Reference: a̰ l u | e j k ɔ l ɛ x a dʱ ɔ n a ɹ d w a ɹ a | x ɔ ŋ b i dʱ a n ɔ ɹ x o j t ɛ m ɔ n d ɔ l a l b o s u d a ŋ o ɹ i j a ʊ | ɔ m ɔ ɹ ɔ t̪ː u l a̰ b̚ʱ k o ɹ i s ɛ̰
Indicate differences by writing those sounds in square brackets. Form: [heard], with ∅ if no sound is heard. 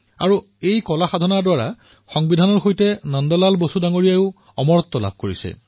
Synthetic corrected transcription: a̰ [ɹ] u | e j k ɔ l [a] x a dʱ ɔ n a ɹ d w a ɹ a | x ɔ ŋ b i dʱ a n ɔ ɹ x o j t ɛ [n] ɔ n d ɔ l a l b o s u d a ŋ o ɹ i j a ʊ | ɔ m ɔ ɹ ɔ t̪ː [ɔ] l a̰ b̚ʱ k o ɹ i s ɛ̰